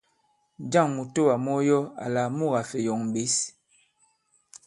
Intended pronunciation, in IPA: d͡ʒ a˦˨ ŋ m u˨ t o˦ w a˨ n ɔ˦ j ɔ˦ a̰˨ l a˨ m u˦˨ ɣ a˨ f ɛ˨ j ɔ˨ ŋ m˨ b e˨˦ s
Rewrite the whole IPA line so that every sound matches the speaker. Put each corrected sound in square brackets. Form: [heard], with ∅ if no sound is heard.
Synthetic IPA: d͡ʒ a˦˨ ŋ m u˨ t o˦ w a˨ [m] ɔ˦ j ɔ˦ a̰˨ l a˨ m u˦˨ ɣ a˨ f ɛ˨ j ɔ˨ ŋ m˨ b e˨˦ s